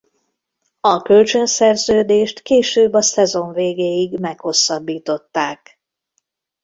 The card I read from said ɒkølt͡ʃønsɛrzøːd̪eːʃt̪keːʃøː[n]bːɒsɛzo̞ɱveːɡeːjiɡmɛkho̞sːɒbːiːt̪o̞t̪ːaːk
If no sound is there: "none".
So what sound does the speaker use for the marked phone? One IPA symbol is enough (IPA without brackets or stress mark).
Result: none